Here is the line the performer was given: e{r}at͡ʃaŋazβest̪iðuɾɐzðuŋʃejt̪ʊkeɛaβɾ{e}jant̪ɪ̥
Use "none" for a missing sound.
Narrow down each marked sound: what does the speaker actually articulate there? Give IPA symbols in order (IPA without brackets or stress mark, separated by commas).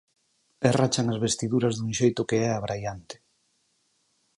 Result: r, a